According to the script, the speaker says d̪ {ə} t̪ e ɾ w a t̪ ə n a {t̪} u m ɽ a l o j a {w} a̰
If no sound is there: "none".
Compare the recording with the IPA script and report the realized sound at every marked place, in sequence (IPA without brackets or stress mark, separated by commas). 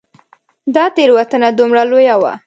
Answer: ɑ, d̪, w